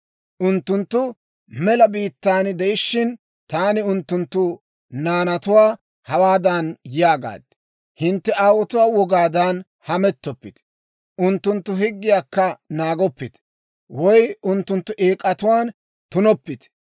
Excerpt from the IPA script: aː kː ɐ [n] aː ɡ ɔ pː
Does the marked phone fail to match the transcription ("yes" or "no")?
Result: no